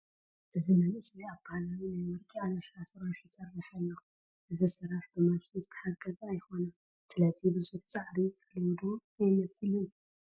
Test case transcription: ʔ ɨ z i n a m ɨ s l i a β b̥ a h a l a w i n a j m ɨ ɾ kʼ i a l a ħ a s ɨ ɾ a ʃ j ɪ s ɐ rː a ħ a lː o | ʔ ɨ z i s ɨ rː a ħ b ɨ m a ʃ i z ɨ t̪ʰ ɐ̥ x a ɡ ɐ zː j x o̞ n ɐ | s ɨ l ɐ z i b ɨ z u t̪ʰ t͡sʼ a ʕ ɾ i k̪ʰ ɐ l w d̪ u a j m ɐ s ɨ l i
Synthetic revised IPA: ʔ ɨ z i n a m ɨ s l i a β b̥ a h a l a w i n a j m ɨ ɾ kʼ i a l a ʃ a s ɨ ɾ a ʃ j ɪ s ɐ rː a ħ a lː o | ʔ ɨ z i s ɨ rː a ħ b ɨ m a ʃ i z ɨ t̪ʰ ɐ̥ ħ a ɡ ɐ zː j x o̞ n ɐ | s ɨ l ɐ z i b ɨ z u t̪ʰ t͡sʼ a ʕ ɾ i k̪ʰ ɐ l w d̪ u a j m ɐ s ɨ l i